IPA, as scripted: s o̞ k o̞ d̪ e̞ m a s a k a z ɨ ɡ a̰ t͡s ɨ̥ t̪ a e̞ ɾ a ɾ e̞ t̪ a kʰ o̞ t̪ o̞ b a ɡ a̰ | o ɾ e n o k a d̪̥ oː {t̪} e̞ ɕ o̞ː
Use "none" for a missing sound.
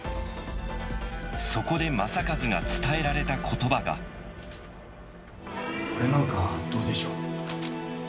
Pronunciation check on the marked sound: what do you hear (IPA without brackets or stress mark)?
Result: d̪